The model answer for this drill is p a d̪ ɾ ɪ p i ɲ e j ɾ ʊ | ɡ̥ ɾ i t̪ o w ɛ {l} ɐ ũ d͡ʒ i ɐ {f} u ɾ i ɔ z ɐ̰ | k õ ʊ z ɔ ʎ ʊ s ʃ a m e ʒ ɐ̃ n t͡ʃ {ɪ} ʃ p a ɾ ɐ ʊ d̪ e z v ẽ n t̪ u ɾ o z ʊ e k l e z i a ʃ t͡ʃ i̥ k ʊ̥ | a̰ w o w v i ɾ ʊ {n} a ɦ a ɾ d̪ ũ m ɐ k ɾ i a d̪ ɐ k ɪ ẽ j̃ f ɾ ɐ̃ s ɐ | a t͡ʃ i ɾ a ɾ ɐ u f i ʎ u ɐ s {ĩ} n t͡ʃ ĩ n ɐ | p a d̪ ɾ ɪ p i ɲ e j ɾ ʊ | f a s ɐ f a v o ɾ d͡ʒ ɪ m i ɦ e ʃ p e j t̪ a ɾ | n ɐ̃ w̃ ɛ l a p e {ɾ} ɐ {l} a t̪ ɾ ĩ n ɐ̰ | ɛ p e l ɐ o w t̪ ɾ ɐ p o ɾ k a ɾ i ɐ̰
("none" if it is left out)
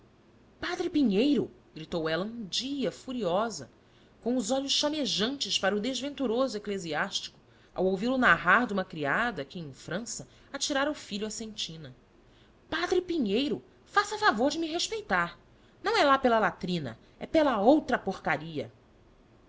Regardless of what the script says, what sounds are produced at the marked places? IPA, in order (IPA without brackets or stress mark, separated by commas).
l, f, ɪ, n, ẽ, l, l